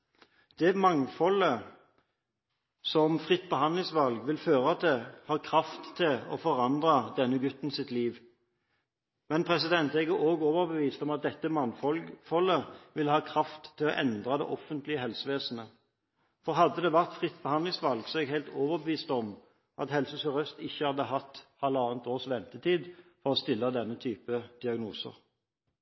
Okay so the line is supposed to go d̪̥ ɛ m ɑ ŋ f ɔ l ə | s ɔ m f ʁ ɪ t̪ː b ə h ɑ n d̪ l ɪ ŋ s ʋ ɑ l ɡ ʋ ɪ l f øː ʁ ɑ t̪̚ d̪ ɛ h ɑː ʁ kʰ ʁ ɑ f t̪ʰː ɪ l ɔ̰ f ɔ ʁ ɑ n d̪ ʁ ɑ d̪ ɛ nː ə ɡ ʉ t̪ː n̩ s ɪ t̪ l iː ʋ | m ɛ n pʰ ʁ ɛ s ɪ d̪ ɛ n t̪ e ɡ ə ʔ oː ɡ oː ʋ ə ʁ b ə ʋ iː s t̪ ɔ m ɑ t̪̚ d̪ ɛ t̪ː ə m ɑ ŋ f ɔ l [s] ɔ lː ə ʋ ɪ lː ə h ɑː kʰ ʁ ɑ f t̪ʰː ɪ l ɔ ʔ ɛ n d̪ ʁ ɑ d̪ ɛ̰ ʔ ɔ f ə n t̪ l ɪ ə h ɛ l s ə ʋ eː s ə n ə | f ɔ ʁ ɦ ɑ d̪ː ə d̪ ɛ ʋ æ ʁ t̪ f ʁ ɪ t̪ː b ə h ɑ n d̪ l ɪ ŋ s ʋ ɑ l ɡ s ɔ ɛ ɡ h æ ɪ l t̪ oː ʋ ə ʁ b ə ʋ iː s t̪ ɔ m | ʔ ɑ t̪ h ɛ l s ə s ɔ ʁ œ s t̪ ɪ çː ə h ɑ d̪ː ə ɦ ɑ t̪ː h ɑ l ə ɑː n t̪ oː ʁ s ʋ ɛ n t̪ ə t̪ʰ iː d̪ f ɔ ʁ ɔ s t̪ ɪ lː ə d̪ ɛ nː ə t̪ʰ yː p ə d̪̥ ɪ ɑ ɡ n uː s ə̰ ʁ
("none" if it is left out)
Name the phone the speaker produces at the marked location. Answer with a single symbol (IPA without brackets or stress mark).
f